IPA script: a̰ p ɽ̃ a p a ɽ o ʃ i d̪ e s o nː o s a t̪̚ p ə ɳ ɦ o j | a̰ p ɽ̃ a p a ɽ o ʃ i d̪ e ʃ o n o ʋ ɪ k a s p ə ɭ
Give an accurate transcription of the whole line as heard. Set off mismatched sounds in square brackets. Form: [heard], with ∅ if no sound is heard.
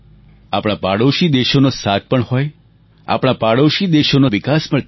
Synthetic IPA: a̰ p ɽ̃ a p a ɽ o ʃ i d̪ e [ʃ] o [n] o s a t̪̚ p ə ɳ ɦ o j | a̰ p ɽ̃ a p a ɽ o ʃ i d̪ e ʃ o n o ʋ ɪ k a s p ə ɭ